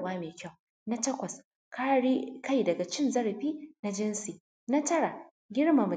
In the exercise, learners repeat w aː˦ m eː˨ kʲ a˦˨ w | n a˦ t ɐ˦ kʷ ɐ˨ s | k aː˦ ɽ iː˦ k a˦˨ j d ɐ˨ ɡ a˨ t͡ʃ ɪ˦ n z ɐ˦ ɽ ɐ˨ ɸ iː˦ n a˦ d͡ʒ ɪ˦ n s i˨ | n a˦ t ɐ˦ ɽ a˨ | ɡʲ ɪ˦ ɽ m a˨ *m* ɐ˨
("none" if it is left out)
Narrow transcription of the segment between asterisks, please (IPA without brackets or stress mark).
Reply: m